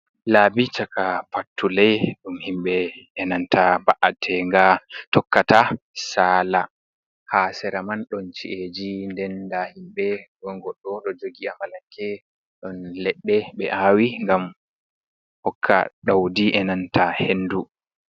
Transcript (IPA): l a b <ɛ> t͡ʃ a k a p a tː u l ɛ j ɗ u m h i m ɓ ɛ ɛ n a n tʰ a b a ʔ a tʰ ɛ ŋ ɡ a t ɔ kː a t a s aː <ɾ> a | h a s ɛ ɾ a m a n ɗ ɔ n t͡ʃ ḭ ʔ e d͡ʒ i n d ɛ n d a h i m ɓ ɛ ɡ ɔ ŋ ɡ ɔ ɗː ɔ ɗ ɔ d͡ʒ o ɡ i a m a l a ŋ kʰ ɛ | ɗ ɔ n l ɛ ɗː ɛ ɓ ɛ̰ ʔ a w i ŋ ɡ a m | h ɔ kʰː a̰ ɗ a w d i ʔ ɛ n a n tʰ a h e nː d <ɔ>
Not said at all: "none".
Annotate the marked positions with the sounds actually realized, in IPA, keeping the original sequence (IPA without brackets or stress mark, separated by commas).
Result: i, l, u